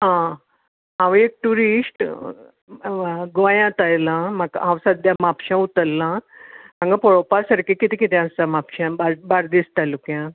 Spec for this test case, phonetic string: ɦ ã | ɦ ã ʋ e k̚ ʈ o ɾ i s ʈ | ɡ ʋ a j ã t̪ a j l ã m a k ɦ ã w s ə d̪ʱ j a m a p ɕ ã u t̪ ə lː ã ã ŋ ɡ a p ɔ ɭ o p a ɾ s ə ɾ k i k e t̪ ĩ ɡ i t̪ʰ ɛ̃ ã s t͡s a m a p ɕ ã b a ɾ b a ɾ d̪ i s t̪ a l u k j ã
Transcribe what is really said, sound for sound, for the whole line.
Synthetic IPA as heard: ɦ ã | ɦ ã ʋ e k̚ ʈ u ɾ i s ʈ | ɡ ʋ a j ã t̪ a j l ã m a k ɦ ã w s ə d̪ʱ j a m a p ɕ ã u t̪ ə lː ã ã ŋ ɡ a p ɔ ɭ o p a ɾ s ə ɾ k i k i t̪ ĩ k i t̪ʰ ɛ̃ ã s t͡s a m a p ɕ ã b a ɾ b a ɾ d̪ i s t̪ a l u k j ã

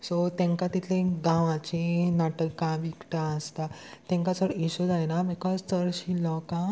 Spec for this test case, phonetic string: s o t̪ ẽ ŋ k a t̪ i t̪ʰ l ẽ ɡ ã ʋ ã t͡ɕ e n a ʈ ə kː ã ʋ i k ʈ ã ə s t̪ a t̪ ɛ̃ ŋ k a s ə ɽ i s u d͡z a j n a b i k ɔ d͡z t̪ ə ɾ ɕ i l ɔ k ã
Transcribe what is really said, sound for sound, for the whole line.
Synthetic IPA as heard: s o t̪ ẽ ŋ k a t̪ i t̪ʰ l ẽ ɡ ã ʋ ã t͡ɕ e n a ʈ ə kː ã ʋ i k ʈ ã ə s t̪ a t̪ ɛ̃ ŋ k a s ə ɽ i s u d͡z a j n a b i k ɔ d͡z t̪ ə ɾ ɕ i l ɔ k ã

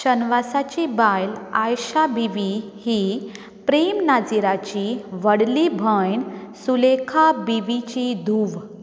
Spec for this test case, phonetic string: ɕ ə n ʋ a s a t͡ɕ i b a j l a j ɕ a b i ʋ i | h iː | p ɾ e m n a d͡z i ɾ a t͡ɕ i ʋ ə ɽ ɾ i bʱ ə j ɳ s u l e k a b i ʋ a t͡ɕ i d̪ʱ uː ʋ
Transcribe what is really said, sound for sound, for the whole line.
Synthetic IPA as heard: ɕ ə n ʋ a s a t͡ɕ i b a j l a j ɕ a b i ʋ i | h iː | p ɾ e m n a d͡z i ɾ a t͡ɕ i ʋ ə ɽ l i bʱ ə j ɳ s u l e kʰ a b i ʋ i t͡ɕ i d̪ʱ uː ʋ

